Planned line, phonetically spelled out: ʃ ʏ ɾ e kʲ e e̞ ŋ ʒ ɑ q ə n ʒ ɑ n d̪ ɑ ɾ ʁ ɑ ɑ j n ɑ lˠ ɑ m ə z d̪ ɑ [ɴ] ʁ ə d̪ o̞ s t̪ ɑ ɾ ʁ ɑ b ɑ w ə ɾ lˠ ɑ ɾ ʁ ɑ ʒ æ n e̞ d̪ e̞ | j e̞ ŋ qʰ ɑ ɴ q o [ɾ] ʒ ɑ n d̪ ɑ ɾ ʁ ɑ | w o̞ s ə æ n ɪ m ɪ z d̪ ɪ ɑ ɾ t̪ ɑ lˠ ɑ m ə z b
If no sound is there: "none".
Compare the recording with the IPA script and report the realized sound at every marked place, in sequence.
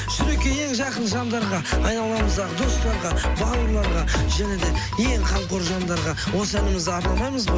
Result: none, ɾ

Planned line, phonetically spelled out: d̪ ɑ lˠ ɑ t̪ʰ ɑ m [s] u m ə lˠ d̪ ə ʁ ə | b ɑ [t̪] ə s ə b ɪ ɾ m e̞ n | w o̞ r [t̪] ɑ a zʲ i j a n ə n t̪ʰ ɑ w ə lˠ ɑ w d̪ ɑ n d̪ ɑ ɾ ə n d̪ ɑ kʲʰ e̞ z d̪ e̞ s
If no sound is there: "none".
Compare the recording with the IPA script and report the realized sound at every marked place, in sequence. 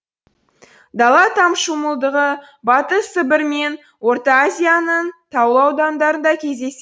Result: ʃ, t̪, t̪

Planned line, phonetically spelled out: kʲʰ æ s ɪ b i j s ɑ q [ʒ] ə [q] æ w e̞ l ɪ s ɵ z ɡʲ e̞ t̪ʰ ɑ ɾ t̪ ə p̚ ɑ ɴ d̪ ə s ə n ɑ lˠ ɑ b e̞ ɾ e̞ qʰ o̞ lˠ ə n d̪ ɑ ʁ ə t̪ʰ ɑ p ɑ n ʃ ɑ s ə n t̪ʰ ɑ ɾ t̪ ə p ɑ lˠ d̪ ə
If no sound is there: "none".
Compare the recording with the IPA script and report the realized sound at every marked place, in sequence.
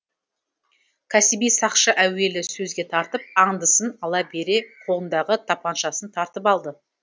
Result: ʃ, ʔ

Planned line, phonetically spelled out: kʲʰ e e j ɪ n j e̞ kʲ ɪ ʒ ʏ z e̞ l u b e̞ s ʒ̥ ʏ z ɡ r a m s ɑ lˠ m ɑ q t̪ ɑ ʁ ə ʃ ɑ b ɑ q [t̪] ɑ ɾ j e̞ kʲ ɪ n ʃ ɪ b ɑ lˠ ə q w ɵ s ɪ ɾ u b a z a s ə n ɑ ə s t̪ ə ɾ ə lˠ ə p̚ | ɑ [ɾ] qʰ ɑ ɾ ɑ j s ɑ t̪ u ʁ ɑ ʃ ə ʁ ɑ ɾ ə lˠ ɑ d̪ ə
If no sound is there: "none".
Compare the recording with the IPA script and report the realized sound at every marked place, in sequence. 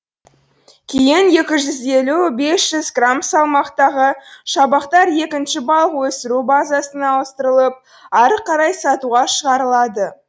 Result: t̪, ɾ

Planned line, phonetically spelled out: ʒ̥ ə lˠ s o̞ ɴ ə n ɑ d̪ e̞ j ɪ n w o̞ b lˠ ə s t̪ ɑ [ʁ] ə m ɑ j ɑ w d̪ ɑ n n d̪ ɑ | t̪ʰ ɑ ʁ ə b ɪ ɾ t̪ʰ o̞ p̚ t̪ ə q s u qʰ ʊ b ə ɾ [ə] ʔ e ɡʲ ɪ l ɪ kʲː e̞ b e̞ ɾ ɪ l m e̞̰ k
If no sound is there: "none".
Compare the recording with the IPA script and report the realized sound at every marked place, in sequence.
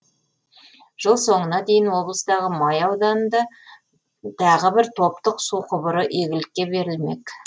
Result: ʁ, ə

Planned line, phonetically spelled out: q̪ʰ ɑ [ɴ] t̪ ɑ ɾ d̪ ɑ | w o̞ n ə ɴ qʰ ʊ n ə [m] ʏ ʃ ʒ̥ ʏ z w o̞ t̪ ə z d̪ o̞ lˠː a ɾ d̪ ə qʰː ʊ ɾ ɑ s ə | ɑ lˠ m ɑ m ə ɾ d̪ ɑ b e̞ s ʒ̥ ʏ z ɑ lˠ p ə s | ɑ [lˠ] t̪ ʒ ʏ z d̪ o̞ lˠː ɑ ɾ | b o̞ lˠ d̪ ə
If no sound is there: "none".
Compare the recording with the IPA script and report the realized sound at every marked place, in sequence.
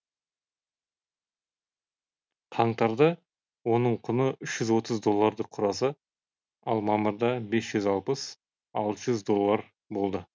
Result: ɴ, none, lˠ

